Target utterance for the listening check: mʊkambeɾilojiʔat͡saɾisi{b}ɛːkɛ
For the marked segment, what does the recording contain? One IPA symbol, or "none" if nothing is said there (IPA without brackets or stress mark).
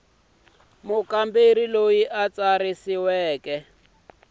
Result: w